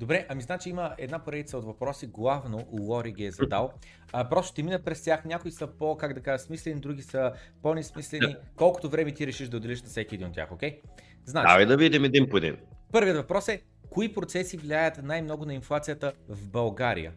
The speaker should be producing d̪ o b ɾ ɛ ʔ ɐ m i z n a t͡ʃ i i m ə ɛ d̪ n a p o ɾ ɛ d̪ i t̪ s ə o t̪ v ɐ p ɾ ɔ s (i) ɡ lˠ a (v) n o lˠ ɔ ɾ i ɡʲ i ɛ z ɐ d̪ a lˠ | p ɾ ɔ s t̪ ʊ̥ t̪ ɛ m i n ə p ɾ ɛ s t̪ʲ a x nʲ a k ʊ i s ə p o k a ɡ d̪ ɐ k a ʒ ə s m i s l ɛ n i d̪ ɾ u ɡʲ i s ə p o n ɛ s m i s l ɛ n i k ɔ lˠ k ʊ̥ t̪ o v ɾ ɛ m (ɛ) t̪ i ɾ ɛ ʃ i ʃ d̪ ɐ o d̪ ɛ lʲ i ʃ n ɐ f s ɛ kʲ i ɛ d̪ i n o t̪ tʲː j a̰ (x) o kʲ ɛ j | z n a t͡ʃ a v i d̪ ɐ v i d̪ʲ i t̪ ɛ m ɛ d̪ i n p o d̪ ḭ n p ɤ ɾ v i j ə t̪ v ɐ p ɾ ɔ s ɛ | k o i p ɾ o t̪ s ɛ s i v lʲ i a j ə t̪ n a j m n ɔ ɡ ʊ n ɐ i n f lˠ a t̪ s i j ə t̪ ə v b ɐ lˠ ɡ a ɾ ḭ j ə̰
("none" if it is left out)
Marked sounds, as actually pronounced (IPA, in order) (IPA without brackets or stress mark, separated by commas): i, v, ɛ, x